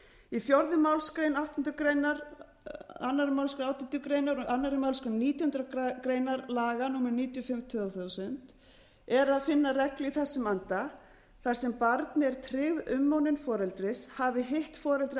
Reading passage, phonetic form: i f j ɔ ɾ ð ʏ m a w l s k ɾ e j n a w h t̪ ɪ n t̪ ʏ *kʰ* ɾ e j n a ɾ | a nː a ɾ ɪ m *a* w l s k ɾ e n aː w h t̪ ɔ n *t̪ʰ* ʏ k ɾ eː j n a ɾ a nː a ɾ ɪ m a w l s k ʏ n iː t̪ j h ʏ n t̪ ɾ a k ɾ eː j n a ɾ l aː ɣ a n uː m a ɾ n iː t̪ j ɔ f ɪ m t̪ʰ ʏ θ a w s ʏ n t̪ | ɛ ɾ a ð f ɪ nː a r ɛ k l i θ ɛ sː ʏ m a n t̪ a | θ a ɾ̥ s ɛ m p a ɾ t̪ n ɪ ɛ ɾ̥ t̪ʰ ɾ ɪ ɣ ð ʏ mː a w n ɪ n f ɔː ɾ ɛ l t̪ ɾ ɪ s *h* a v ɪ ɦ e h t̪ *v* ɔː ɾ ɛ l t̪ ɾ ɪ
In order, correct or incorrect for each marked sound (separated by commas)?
incorrect, correct, incorrect, correct, incorrect